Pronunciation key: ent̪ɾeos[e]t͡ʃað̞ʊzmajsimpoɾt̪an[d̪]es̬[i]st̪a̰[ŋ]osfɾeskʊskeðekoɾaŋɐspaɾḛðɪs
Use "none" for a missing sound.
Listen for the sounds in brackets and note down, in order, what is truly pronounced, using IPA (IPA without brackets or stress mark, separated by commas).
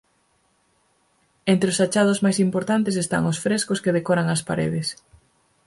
a, t̪, e, ŋ